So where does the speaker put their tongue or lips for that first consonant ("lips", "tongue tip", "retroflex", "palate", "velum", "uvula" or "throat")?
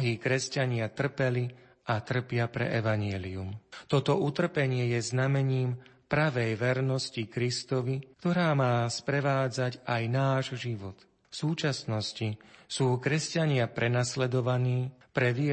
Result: throat